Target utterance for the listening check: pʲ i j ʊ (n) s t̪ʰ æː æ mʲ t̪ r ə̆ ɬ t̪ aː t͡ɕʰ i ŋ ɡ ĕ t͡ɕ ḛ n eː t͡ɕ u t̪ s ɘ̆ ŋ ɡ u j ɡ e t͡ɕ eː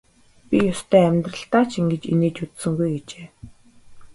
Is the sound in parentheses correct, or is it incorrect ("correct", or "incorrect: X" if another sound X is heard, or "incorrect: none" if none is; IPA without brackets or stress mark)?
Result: incorrect: none